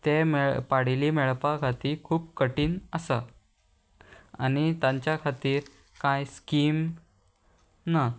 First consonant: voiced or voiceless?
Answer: voiceless